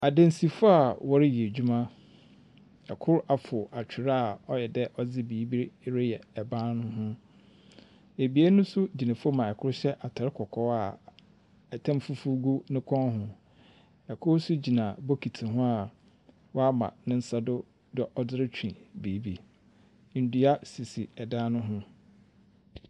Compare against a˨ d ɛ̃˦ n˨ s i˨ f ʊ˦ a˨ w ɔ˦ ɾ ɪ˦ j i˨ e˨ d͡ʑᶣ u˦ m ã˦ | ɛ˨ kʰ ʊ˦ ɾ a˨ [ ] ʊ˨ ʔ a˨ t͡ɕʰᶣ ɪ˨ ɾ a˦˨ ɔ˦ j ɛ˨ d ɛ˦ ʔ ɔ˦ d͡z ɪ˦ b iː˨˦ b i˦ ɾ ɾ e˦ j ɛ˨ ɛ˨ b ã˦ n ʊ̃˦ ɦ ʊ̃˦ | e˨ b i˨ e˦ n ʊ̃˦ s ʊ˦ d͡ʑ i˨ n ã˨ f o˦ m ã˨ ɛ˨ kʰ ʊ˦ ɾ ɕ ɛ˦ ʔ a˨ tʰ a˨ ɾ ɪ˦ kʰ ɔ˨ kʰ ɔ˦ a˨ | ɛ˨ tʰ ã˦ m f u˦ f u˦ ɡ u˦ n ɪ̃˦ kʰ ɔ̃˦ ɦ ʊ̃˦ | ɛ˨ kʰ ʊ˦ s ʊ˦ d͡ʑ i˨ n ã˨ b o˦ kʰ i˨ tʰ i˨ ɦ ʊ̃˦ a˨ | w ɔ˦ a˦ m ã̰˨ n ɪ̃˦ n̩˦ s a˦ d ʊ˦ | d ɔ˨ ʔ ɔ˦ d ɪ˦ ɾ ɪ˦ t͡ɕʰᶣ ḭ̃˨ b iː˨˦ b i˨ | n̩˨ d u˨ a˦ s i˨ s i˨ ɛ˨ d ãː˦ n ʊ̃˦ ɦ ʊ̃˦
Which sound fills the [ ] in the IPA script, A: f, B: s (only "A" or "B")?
A